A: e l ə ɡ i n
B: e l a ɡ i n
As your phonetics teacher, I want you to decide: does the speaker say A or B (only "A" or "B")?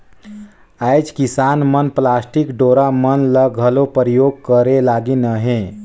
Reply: B